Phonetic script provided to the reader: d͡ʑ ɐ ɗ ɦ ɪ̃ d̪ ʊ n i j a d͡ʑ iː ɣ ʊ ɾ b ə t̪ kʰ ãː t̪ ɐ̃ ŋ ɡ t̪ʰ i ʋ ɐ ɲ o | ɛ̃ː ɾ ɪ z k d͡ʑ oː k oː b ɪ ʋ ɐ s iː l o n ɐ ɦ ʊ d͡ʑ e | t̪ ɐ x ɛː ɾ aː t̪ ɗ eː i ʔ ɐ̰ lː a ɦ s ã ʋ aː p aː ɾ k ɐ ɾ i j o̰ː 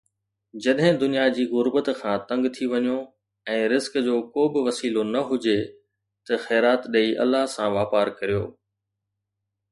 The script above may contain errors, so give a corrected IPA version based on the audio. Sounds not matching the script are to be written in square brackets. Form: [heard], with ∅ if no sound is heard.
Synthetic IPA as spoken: d͡ʑ ɐ ɗ ɦ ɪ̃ d̪ ʊ n i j a d͡ʑ iː ɣ ʊ ɾ b ə t̪ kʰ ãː t̪ ɐ̃ ŋ ɡ t̪ʰ i ʋ ɐ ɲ o | ɛ̃ː ɾ ɪ z k d͡ʑ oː k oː b ɪ ʋ ɐ s iː l o n ɐ ɦ ʊ d͡ʑ e | t̪ ɐ x ɛː ɾ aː t̪ ɗ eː i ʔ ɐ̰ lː a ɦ s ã ʋ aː p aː ɾ k ɐ ɾ i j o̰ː